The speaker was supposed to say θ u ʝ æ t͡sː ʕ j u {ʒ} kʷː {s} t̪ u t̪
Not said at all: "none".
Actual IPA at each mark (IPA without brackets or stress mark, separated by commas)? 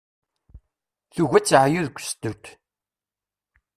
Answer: ð, s